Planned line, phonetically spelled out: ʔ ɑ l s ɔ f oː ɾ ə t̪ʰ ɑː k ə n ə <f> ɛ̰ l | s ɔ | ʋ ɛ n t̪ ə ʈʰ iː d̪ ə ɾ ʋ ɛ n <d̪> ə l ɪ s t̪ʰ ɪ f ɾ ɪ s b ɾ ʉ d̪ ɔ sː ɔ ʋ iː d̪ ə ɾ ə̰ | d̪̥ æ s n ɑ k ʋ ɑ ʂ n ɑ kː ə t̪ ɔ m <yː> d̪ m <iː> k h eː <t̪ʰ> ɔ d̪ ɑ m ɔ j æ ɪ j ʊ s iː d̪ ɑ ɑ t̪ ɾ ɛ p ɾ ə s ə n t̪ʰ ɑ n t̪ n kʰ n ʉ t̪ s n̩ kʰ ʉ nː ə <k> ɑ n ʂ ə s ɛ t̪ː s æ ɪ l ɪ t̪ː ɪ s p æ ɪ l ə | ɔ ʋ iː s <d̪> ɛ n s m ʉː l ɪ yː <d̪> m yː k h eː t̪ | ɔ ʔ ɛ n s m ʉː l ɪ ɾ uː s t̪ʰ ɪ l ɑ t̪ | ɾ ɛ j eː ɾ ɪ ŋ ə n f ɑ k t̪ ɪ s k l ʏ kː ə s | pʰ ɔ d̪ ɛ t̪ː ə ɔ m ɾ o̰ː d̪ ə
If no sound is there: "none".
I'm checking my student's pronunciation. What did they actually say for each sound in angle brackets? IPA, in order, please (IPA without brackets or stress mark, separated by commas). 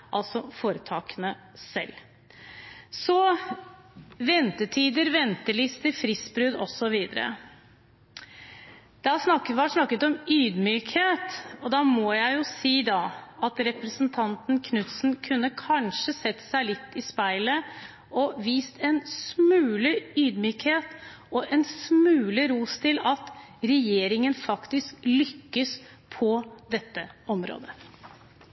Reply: s, t̪, yː, yː, t̪, kʰ, t̪, d̪